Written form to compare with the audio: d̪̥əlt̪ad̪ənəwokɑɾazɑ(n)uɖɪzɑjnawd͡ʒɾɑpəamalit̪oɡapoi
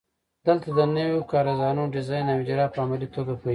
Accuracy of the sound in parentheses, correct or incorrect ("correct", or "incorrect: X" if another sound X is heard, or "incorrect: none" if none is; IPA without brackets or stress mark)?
correct